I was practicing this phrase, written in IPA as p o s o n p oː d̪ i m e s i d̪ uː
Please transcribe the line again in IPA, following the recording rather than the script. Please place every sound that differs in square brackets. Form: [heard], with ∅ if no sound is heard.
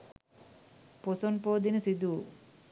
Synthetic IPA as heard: p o s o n p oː d̪ i [n] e s i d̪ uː